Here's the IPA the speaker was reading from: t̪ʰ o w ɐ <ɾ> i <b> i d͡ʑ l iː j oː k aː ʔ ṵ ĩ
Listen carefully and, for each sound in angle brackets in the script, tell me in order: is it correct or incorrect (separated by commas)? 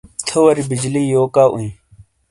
correct, correct